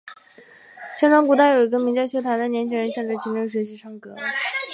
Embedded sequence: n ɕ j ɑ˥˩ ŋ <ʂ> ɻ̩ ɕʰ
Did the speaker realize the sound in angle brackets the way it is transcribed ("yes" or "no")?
no